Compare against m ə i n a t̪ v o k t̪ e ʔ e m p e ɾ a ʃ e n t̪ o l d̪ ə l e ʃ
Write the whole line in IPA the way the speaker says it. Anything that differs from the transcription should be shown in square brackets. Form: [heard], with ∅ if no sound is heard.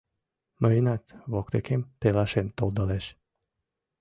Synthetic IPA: m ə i n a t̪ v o k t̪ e [k] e m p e [l] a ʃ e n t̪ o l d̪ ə l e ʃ